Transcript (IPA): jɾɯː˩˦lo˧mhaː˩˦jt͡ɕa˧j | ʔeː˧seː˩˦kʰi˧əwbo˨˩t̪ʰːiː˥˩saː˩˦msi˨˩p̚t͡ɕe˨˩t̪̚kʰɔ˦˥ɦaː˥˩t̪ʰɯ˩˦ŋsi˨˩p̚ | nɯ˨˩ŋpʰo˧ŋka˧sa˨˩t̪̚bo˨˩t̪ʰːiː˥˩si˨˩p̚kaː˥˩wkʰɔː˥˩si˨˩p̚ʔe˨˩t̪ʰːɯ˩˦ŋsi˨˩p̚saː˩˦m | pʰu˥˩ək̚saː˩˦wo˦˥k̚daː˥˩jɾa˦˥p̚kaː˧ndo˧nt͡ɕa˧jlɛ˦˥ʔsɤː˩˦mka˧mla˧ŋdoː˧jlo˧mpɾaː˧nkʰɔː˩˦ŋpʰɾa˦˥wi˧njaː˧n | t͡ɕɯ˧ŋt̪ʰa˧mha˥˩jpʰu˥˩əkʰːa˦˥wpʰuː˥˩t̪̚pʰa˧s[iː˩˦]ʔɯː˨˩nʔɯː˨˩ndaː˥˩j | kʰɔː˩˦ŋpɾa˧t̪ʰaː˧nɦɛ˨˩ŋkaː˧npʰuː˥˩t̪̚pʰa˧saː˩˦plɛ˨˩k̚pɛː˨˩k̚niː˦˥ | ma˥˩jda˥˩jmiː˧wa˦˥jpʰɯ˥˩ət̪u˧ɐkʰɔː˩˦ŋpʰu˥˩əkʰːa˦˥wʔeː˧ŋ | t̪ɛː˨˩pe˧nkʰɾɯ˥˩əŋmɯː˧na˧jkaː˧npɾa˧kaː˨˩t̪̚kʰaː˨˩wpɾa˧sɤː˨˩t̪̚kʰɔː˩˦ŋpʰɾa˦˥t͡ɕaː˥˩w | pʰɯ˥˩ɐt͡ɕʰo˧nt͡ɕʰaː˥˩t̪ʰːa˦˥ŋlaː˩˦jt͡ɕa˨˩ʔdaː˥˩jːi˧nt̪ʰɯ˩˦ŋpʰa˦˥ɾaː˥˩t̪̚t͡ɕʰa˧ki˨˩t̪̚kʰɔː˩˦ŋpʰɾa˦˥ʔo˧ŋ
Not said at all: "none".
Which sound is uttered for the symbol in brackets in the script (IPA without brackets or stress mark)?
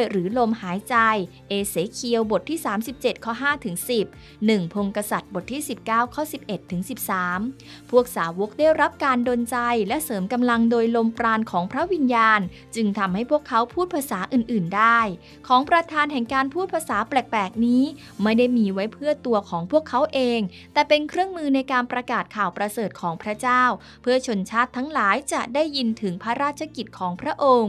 aː˩˦